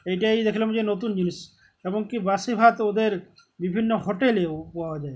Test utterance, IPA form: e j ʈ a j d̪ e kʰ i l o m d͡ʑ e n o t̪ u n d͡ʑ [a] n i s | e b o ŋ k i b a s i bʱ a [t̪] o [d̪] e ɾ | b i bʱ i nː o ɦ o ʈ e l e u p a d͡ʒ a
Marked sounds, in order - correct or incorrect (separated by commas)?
incorrect, correct, correct